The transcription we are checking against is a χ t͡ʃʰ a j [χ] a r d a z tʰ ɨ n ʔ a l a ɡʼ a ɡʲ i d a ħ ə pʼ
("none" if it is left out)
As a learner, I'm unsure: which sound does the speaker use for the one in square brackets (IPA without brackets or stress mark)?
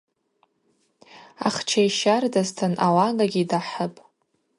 ʃ